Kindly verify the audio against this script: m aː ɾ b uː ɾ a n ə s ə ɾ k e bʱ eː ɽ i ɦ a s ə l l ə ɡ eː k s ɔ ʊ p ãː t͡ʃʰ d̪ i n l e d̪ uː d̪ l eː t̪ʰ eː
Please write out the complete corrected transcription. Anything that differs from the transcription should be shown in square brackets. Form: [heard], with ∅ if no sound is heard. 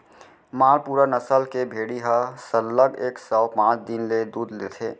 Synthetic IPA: m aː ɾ [p] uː ɾ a n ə s ə [l] k e bʱ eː ɽ i ɦ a s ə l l ə ɡ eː k s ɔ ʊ p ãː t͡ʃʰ d̪ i n l e d̪ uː d̪ l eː t̪ʰ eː